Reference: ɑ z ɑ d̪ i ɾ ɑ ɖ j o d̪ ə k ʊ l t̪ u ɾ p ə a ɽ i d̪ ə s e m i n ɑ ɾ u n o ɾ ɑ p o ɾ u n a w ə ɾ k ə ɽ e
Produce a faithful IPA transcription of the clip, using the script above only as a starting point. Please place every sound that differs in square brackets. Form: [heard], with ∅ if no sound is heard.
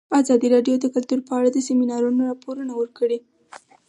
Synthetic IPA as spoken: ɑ z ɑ d̪ i ɾ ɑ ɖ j o d̪ ə k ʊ l t̪ u ɾ p ə a ɽ [a] d̪ ə s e m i n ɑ ɾ u n o ɾ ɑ p o ɾ u n a w ə ɾ k ə ɽ e